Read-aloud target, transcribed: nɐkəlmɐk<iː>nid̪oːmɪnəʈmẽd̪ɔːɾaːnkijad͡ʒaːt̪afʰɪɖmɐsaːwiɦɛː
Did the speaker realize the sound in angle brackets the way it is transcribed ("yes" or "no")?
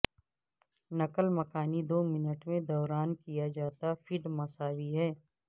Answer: no